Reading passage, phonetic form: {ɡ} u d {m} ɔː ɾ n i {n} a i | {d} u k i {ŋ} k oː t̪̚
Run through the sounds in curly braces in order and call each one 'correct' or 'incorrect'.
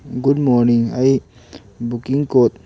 correct, correct, incorrect, incorrect, correct

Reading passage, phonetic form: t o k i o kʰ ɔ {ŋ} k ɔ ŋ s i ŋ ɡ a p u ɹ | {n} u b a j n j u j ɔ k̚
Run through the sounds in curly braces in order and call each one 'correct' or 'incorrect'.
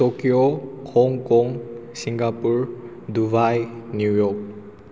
correct, incorrect

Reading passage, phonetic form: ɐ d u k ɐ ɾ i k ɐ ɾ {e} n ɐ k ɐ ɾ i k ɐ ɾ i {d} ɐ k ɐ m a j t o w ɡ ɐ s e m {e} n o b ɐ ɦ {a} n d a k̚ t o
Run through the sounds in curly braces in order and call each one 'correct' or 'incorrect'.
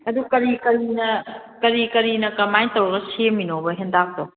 incorrect, incorrect, incorrect, incorrect

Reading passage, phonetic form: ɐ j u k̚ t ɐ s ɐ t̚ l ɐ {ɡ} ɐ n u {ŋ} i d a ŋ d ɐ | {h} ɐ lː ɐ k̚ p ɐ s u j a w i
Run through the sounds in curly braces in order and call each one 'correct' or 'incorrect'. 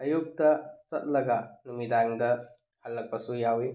correct, incorrect, correct

